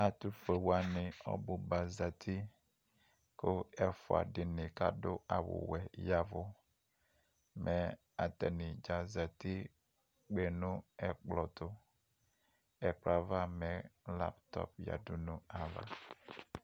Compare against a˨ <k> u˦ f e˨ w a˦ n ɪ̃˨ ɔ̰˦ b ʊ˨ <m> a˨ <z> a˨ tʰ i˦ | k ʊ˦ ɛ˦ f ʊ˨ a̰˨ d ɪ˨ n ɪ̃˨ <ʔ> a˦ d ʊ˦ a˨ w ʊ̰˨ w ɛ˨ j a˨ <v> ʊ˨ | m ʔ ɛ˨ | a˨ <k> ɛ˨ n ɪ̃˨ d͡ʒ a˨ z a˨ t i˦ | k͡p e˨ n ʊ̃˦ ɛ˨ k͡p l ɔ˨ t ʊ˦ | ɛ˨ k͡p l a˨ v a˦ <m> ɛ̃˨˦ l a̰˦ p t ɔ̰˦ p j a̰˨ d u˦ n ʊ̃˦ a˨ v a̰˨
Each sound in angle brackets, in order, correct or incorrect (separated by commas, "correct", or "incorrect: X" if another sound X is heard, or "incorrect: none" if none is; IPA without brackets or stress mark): incorrect: t, incorrect: b, correct, incorrect: k, correct, incorrect: t, correct